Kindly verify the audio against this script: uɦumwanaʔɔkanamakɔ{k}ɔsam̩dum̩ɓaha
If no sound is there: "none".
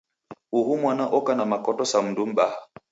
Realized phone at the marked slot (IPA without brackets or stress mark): t